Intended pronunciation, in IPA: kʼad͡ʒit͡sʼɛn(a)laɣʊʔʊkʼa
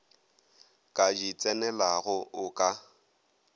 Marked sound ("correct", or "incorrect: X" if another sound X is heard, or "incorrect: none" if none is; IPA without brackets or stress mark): incorrect: ɛ